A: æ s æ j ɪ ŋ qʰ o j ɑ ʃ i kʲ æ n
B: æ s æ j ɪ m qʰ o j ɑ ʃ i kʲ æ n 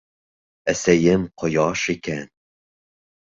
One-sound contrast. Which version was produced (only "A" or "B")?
B